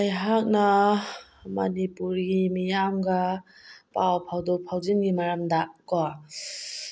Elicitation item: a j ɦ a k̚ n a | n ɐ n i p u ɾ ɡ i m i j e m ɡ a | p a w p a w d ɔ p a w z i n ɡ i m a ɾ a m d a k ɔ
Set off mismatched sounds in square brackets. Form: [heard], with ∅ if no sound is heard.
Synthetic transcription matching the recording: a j ɦ a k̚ n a | [m] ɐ n i p u ɾ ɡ i m i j [a] m ɡ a | p a w [pʰ] a w d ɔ [pʰ] a w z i n ɡ i m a ɾ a m d a k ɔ